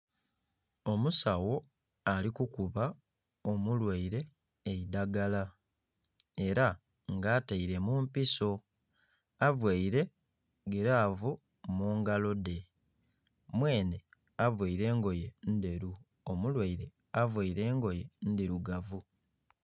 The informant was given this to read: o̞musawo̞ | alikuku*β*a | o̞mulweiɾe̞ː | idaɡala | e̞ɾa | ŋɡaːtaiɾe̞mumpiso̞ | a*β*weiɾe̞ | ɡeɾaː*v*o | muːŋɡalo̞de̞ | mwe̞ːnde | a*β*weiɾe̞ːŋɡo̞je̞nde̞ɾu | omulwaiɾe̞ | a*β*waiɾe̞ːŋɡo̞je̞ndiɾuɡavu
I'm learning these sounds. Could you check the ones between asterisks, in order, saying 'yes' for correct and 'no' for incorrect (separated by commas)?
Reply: yes, no, yes, no, no